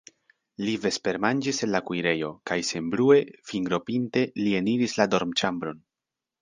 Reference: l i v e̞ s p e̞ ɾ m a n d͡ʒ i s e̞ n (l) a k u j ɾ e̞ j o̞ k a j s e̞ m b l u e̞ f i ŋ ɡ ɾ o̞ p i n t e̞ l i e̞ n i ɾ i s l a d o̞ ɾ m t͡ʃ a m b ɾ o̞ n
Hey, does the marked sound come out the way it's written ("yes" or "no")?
yes